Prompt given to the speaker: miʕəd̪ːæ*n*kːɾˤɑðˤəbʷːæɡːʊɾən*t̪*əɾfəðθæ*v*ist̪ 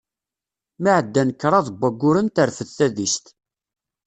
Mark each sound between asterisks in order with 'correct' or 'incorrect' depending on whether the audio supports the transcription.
correct, correct, incorrect: ð

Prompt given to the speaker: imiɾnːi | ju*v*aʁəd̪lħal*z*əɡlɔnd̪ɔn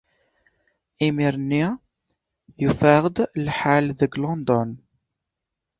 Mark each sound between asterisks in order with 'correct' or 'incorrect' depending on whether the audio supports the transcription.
incorrect: f, incorrect: ð

